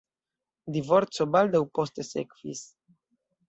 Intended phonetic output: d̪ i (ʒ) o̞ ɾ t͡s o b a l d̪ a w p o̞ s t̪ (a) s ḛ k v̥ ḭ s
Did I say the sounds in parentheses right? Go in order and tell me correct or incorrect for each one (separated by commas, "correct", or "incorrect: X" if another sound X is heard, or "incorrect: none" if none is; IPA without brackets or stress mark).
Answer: incorrect: v, incorrect: e